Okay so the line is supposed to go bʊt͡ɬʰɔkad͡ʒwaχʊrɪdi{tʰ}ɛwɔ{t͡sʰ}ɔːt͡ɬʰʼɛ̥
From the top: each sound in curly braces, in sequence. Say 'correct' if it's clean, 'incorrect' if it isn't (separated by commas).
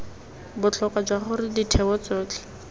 correct, incorrect